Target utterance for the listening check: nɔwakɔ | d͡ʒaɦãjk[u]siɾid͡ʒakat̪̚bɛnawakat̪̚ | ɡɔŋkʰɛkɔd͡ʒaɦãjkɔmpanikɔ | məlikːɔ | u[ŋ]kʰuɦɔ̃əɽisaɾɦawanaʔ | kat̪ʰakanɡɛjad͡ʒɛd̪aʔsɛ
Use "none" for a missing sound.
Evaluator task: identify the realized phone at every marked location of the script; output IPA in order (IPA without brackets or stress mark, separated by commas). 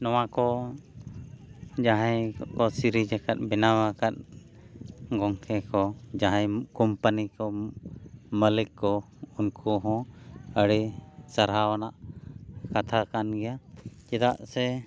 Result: ɔ, n